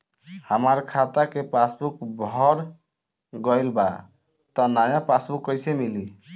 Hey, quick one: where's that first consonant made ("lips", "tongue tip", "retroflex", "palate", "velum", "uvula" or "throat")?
throat